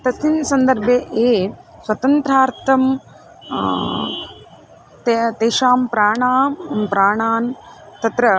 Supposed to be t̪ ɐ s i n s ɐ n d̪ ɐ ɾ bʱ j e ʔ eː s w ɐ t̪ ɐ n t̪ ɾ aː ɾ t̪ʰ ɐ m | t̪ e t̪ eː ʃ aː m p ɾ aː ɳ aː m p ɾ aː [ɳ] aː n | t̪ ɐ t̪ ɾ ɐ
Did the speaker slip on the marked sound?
no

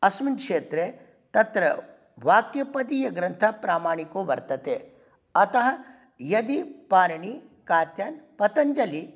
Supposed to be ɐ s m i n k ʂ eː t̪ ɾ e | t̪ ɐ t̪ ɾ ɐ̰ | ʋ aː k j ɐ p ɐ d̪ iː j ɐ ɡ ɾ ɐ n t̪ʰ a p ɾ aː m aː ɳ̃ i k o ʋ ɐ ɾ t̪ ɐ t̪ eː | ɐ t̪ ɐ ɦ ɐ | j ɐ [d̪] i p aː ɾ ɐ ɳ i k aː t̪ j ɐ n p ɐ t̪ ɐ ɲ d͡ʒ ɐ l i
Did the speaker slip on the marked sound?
no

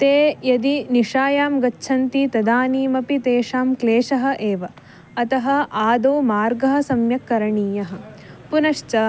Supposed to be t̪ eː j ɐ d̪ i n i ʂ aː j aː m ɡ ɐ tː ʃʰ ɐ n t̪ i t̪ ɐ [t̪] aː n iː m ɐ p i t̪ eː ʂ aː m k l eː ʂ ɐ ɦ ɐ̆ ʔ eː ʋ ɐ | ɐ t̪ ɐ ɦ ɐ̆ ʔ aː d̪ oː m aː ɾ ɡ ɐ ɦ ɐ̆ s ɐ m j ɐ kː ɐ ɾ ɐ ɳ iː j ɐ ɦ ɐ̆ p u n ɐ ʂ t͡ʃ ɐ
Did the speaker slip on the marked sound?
yes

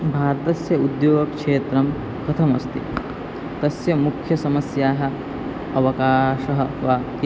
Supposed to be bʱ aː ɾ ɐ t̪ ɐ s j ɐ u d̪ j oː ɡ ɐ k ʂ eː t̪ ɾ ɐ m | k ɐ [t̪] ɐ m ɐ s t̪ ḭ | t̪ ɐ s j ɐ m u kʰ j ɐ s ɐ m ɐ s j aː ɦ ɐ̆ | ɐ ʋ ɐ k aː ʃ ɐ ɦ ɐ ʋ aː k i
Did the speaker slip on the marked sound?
yes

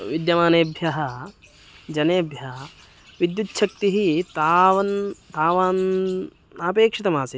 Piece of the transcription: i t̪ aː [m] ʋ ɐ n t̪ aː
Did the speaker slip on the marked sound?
yes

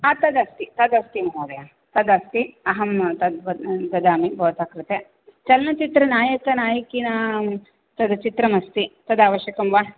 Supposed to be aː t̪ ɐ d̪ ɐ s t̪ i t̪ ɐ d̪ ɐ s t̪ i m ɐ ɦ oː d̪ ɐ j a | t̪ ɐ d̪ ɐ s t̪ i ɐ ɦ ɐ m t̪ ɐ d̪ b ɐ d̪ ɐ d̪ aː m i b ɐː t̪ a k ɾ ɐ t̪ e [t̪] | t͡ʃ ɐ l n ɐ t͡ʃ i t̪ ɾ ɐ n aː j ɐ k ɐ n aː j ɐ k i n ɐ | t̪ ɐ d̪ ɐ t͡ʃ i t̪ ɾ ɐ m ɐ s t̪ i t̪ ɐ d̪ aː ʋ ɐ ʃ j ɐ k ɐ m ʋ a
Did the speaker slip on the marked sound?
yes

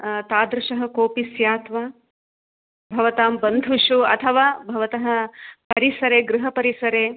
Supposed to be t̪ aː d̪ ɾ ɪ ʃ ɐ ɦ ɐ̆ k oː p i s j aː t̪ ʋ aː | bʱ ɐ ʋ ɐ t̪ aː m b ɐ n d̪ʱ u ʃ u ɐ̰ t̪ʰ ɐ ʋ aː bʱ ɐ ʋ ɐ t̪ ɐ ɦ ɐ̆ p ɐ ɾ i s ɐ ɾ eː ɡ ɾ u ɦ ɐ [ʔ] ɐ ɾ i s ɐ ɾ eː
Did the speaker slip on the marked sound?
yes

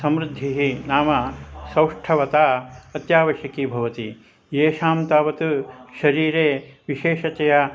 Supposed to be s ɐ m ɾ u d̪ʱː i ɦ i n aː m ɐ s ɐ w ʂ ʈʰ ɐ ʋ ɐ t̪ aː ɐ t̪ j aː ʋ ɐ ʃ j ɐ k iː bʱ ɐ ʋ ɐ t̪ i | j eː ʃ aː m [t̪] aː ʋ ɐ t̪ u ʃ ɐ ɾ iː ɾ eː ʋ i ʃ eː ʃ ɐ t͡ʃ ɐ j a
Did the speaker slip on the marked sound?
no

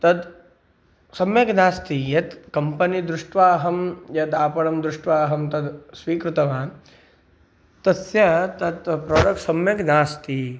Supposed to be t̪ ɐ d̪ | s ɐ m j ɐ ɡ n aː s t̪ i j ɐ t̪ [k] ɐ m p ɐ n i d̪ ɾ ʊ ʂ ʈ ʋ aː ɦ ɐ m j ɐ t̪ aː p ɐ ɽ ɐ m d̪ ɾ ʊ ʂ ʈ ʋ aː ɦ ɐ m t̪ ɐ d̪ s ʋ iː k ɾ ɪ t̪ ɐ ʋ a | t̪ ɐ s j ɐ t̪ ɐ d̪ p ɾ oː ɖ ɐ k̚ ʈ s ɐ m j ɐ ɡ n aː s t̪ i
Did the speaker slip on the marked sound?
no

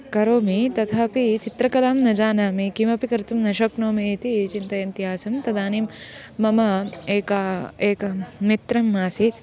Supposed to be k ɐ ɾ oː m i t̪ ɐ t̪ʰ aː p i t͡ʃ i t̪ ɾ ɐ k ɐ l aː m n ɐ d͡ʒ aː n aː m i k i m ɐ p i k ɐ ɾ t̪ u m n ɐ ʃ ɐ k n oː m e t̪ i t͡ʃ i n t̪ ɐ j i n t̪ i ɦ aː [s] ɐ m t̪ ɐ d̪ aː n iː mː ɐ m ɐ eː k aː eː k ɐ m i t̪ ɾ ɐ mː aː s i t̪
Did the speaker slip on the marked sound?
no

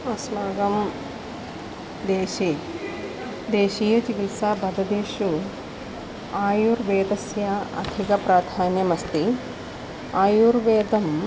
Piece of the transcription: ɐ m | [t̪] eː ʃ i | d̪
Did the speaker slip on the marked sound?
yes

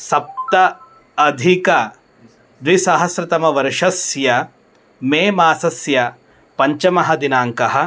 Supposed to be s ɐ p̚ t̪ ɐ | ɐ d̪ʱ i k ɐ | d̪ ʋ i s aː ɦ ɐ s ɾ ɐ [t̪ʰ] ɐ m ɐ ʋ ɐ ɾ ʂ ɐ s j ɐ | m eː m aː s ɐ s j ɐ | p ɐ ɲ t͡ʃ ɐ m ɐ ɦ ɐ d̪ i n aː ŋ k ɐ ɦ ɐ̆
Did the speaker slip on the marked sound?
yes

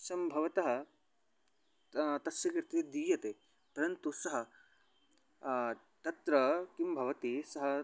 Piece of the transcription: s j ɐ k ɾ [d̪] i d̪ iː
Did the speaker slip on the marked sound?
yes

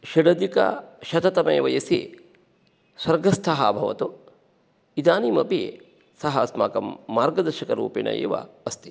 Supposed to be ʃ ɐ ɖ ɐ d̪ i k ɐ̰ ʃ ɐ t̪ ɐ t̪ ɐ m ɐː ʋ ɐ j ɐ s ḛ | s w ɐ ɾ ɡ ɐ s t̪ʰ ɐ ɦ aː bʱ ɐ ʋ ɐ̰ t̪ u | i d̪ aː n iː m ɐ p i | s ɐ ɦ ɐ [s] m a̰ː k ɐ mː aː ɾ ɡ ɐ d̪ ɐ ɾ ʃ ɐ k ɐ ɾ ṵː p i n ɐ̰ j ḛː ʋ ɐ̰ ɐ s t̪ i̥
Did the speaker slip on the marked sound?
no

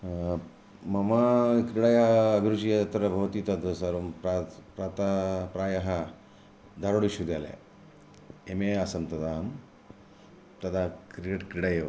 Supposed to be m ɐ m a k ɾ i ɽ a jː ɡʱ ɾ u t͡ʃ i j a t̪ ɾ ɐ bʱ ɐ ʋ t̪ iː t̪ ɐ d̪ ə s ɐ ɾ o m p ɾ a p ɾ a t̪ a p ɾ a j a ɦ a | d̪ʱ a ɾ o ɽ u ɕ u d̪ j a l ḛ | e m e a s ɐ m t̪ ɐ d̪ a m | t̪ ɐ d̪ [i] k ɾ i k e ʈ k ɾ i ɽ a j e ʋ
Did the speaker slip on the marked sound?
yes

